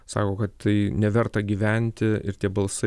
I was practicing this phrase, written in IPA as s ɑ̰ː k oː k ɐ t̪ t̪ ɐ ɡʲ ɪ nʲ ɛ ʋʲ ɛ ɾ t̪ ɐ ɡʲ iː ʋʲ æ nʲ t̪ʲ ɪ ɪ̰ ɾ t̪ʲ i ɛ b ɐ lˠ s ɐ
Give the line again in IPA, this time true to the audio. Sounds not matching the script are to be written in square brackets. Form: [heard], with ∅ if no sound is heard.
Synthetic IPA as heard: s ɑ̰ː k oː k ɐ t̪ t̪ ɐ [∅] ɪ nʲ ɛ ʋʲ ɛ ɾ t̪ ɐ ɡʲ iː ʋʲ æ nʲ t̪ʲ ɪ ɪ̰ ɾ t̪ʲ i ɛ b ɐ lˠ s ɐ